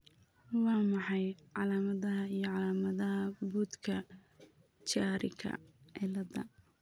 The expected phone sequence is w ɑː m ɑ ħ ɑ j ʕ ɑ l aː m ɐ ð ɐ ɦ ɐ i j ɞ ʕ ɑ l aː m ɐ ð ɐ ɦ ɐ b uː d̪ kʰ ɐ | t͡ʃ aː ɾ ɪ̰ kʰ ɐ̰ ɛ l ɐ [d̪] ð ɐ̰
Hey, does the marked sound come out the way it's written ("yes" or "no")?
no